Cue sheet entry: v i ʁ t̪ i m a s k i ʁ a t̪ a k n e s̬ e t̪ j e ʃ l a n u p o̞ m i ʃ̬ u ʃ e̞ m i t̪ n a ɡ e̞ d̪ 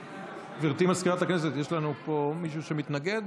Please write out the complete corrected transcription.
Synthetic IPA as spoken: v i ʁ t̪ i m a s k i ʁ a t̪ a k n e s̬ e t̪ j e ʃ l a n u p o̞ m i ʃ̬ u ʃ e̞ m i t̪ n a ɡ e̞ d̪